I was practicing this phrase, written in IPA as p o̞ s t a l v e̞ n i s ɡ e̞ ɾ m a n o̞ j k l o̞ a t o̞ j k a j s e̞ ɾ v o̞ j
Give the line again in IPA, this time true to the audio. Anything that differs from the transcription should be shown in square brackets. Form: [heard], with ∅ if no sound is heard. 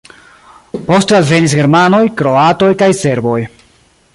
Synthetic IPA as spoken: p o̞ s t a l v e̞ n i s ɡ e̞ ɾ m a n o̞ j k [ɾ] o̞ a t o̞ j k a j s e̞ ɾ [b] o̞ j